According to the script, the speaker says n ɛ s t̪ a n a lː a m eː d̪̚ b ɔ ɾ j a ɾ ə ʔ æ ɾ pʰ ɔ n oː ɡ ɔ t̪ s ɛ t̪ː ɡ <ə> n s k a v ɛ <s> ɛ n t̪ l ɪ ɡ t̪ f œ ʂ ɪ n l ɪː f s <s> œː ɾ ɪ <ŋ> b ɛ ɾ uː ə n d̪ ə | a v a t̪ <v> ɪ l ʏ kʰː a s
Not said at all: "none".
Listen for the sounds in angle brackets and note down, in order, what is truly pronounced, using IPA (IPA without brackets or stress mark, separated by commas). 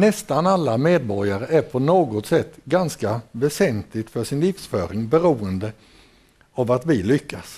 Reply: a, s, f, ŋ, v